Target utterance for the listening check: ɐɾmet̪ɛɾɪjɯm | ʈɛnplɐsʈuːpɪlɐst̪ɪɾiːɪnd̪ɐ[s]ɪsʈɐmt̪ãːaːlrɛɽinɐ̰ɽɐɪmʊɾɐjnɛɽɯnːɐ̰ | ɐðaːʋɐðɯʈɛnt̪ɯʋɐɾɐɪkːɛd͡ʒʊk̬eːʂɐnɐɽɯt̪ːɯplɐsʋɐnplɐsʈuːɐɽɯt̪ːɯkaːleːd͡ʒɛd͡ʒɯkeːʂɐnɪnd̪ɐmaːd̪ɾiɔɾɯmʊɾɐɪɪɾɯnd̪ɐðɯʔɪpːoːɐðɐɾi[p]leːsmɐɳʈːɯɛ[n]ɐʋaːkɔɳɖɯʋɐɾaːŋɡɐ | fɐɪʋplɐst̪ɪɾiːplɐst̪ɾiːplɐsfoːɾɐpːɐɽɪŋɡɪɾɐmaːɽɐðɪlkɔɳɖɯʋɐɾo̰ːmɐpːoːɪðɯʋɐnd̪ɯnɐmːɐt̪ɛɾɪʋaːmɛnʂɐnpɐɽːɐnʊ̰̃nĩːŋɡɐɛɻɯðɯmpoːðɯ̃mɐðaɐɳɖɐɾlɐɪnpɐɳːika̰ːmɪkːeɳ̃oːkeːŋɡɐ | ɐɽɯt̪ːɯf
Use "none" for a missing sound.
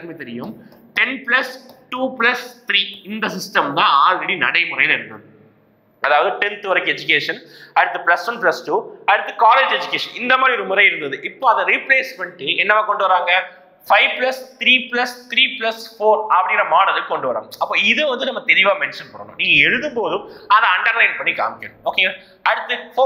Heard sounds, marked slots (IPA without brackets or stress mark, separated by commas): s, p, nː